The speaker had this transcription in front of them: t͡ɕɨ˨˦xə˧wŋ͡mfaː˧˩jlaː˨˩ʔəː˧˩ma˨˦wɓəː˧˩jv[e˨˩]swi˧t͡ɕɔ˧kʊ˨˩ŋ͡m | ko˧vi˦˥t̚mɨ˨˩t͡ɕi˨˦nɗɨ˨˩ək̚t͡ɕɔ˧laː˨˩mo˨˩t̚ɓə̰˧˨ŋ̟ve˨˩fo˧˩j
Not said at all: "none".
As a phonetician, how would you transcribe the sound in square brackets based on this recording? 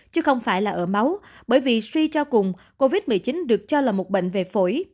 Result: i˨˩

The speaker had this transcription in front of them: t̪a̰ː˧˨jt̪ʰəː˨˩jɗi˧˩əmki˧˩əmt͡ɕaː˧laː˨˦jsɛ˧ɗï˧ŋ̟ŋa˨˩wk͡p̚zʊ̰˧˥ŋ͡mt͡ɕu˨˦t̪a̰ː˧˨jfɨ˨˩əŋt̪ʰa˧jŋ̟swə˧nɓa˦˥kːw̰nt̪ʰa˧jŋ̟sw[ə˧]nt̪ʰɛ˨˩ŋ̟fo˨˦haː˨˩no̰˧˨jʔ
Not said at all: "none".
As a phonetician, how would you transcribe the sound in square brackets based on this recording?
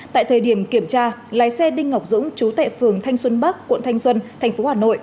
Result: ə˧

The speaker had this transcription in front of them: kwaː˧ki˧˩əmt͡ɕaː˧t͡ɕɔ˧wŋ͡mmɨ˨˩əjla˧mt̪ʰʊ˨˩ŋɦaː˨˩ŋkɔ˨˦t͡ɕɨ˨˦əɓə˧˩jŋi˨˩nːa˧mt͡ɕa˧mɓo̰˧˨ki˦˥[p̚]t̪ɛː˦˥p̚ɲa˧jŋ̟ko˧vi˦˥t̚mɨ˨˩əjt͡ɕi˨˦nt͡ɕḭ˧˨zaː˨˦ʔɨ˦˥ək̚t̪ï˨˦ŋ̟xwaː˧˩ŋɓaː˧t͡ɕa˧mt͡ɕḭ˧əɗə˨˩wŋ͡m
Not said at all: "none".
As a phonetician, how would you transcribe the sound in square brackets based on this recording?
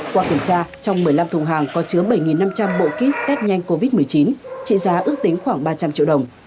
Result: none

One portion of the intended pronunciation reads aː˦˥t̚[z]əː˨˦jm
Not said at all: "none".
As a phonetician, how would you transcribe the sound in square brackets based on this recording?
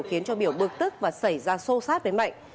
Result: v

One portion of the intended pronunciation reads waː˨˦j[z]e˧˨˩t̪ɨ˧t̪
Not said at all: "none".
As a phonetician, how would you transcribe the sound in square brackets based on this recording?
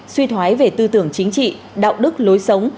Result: v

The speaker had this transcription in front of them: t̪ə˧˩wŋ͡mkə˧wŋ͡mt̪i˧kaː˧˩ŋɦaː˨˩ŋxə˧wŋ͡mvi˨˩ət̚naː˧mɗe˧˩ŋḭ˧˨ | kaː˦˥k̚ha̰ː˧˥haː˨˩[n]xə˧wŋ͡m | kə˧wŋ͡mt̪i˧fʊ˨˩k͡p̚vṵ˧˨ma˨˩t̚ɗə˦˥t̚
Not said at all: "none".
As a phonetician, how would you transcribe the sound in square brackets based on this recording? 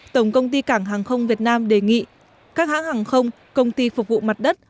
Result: ŋ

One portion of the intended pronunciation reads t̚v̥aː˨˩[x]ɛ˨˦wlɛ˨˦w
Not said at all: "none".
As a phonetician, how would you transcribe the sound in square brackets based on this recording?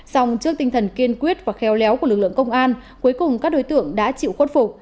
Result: x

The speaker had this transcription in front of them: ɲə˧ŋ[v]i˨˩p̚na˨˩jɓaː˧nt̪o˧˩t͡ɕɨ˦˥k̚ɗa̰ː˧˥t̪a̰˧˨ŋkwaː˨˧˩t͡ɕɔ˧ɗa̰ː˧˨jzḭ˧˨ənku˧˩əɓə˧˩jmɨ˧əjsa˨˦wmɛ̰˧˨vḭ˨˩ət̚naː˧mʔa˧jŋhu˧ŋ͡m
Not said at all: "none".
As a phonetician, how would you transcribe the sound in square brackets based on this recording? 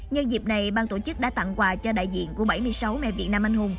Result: z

